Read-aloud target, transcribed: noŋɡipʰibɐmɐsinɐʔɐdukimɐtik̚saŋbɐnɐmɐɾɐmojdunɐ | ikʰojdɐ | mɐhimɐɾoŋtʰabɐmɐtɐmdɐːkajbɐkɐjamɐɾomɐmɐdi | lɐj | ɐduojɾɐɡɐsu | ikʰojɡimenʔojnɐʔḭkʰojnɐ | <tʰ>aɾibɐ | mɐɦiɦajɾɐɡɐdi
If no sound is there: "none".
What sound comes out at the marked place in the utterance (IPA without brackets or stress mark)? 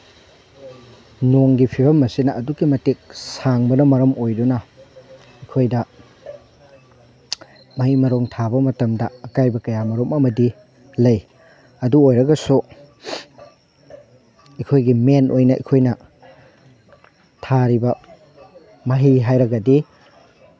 tʰ